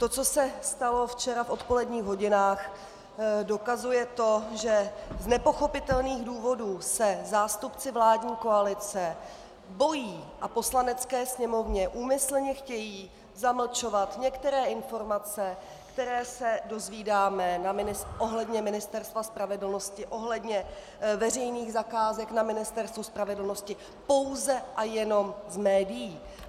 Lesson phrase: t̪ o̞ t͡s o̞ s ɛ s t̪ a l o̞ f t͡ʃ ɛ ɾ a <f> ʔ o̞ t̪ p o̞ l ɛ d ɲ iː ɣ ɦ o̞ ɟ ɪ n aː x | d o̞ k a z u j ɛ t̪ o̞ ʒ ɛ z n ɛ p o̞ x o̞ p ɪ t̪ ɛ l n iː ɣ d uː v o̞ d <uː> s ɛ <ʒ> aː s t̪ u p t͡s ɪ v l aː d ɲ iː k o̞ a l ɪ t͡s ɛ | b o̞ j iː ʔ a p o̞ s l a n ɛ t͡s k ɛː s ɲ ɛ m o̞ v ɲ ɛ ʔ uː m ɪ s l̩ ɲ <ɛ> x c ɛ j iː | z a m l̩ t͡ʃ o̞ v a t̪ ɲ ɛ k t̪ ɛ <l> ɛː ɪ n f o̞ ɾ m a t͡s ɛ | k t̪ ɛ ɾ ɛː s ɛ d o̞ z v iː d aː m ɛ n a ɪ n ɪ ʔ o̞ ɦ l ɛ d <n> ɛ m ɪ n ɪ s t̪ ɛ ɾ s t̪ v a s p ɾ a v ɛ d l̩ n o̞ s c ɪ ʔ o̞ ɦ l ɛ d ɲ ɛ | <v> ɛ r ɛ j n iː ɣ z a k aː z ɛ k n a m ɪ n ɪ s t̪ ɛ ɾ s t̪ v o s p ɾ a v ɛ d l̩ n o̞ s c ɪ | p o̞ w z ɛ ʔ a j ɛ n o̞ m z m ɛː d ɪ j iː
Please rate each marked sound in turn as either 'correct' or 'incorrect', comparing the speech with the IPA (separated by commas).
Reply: correct, correct, incorrect, correct, incorrect, incorrect, correct